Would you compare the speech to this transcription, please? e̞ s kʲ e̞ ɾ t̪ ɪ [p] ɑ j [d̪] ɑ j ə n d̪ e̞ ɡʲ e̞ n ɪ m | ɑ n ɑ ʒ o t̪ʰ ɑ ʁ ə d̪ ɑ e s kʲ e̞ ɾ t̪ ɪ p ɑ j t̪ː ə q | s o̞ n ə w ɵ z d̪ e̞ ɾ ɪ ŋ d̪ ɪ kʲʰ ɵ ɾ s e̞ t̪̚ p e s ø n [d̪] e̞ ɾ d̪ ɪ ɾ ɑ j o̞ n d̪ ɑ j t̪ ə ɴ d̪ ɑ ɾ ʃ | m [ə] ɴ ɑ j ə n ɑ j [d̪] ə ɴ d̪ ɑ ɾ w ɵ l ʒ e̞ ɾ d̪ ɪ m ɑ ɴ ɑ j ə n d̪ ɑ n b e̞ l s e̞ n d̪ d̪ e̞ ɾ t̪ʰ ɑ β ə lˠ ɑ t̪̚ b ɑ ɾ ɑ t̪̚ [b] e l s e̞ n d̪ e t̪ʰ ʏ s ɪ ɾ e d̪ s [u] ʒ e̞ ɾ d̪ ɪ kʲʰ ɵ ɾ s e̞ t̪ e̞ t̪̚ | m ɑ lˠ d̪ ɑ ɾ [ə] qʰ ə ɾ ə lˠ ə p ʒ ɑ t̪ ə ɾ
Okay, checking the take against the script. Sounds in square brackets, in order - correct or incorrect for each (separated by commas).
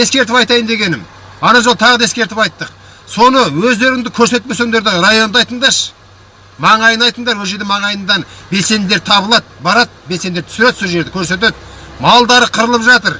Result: correct, incorrect, correct, incorrect, incorrect, correct, incorrect, correct